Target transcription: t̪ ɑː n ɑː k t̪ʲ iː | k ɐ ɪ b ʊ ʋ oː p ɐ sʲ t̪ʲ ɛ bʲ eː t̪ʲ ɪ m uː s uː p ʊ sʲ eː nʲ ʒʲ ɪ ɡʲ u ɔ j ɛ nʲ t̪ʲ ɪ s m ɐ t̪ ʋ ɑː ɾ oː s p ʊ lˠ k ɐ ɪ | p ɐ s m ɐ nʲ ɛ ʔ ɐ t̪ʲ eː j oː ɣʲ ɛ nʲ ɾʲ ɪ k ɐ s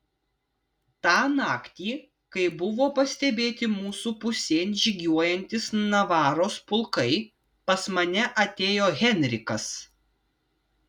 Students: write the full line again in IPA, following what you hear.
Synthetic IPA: t̪ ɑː n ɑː k t̪ʲ iː | k ɐ ɪ b ʊ ʋ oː p ɐ sʲ t̪ʲ ɛ bʲ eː t̪ʲ ɪ m uː s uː p ʊ sʲ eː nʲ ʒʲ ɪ ɡʲ u ɔ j ɛ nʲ t̪ʲ ɪ s n ɐ ʋ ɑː ɾ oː s p ʊ lˠ k ɐ ɪ | p ɐ s m ɐ nʲ ɛ ʔ ɐ t̪ʲ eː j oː ɣʲ ɛ nʲ ɾʲ ɪ k ɐ s